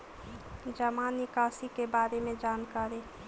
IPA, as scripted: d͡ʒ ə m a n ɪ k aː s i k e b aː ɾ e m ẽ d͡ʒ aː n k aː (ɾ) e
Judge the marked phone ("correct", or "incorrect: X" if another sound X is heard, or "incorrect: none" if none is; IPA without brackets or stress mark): correct